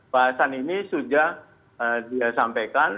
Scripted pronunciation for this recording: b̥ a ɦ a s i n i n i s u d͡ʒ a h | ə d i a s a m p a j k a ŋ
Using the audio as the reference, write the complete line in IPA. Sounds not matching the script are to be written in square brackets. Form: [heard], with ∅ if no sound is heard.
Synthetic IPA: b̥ a ɦ a s [a] n i n i s u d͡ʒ a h | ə d i a s a m p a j k a [n]